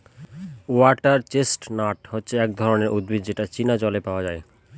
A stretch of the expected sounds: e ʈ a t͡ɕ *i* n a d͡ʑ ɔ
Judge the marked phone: correct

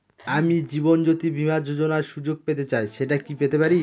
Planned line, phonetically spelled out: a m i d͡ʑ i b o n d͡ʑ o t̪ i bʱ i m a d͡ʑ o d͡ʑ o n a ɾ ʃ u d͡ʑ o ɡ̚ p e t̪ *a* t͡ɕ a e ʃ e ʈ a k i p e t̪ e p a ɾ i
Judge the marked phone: incorrect: e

